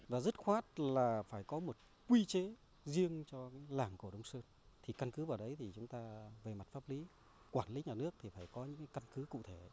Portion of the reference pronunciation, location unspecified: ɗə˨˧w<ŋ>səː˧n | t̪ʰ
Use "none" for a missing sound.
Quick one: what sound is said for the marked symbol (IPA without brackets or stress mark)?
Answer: ŋ͡m